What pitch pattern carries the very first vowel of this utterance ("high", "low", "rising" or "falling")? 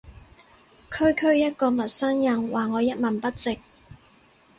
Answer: high